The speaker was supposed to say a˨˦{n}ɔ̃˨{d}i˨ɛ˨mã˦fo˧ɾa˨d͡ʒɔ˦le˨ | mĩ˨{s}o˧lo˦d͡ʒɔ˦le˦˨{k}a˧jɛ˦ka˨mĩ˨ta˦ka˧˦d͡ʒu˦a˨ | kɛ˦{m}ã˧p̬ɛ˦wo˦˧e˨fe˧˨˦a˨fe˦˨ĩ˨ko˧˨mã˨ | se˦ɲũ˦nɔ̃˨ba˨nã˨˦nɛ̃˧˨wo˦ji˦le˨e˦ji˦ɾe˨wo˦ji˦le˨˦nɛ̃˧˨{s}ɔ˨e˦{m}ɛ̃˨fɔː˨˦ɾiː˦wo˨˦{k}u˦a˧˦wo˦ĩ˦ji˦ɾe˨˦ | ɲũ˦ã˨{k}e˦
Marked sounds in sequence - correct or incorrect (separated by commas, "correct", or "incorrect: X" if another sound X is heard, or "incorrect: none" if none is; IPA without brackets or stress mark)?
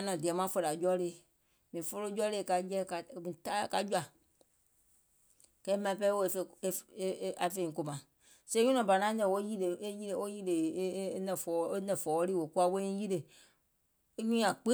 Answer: correct, correct, incorrect: f, correct, correct, incorrect: f, incorrect: n, correct, incorrect: k͡p